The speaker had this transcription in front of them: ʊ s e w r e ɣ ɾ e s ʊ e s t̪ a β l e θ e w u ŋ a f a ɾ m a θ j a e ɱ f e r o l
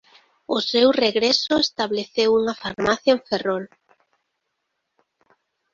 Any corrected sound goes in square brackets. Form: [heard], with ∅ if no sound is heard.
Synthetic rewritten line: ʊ s e w r e ɣ ɾ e s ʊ e s t̪ a β l e θ e w u ŋ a f a ɾ m a θ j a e ɱ f e r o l